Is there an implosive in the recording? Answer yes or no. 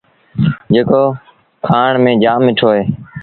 no